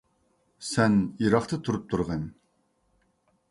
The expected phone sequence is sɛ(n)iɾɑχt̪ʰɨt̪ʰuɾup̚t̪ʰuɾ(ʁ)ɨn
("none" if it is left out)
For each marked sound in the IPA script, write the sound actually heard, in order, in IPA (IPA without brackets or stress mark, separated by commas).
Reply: n, ʁ